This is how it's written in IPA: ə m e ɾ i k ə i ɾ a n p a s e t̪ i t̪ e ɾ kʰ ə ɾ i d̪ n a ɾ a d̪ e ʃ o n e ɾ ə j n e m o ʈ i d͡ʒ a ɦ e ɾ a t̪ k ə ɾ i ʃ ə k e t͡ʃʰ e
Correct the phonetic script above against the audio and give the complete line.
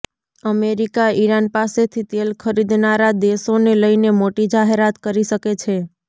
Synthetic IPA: ə m e ɾ i k a i ɾ a n p a s e t̪ʰ i t̪ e l kʰ ə ɾ i d̪ n a ɾ a d̪ e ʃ o n e l ə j n e m o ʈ i d͡ʒ a ɦ e ɾ a t̪ k ə ɾ i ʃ ə k e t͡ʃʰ e